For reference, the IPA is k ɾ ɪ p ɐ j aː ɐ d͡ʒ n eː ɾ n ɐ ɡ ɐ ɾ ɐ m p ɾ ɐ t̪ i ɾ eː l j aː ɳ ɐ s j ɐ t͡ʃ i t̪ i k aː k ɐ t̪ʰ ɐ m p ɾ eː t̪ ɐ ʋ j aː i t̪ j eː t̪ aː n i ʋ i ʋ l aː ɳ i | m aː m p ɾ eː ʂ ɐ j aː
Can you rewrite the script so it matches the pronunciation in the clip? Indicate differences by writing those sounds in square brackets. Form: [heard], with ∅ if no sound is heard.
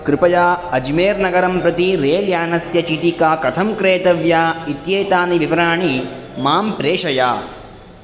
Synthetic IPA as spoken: k ɾ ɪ p ɐ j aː ɐ d͡ʒ [m] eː ɾ n ɐ ɡ ɐ ɾ ɐ m p ɾ ɐ t̪ i ɾ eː l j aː [n] ɐ s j ɐ t͡ʃ i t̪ i k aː k ɐ t̪ʰ ɐ m [k] ɾ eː t̪ ɐ ʋ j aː i t̪ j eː t̪ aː n i ʋ i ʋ [ɾ] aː ɳ i | m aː m p ɾ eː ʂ ɐ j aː